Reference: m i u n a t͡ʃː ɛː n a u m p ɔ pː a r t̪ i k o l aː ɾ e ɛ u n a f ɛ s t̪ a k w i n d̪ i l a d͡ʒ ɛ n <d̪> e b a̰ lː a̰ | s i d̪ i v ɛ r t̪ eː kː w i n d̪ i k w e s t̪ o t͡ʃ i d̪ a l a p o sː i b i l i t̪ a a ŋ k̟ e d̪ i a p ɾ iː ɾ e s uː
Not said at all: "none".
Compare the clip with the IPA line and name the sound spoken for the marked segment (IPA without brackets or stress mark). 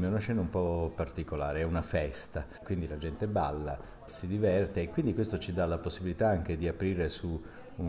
t̪